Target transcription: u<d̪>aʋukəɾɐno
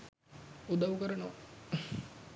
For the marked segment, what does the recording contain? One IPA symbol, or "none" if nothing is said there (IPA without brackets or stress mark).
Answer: d̪